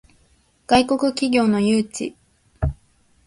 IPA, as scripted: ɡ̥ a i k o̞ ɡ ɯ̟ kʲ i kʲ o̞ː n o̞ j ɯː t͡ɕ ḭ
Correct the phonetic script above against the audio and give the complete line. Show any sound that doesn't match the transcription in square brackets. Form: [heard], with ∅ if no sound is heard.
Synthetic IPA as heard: ɡ̥ a i k o̞ [k] ɯ̟ kʲ i [ɡʲ] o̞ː n o̞ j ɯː t͡ɕ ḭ